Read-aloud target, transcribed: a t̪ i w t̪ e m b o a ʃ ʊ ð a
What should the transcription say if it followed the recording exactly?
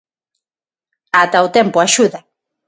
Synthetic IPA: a t̪ a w t̪ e m p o a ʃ u ð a